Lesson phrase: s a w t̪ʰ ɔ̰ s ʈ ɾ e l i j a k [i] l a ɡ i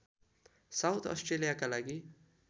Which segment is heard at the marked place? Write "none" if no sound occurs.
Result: a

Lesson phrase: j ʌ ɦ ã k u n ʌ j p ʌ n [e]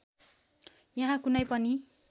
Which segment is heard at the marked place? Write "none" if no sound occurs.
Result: i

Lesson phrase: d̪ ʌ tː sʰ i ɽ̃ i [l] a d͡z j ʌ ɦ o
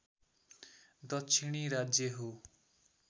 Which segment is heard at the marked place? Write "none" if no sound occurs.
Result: ɾ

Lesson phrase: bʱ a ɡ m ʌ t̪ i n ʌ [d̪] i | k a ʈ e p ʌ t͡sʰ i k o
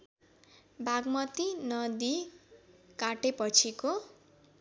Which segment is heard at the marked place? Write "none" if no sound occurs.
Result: d̪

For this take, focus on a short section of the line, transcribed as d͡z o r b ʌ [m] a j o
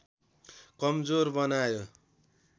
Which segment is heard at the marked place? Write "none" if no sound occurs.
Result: n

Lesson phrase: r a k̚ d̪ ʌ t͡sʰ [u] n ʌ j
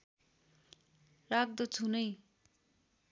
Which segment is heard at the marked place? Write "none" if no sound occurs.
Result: u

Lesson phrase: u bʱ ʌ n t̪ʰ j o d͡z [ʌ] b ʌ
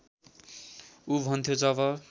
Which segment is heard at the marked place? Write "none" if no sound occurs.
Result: ʌ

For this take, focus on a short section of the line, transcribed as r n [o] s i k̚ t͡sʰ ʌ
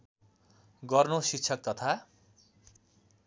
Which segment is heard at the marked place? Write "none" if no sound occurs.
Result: o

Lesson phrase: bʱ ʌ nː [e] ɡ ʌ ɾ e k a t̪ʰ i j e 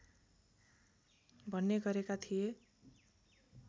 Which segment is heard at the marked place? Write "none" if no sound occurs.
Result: e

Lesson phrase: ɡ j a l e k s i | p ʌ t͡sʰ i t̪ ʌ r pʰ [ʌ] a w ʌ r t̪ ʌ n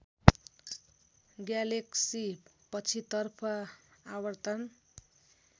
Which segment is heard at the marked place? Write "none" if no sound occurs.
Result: ʌ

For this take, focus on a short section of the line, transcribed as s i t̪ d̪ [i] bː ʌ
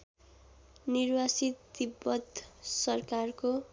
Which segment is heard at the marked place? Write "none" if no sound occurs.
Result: i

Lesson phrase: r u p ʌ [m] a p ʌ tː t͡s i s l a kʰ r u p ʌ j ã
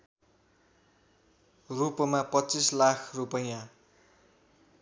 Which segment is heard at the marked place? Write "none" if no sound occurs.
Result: m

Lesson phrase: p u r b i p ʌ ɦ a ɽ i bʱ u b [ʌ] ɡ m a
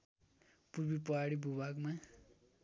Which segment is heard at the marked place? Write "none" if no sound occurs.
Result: a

